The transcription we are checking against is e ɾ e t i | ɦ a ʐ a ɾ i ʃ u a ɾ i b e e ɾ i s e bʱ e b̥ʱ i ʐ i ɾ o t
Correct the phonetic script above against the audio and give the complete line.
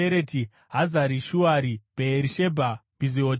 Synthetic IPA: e ɾ e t i | ɦ a z a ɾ i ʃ u a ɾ i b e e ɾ i ʃ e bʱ a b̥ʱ i z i o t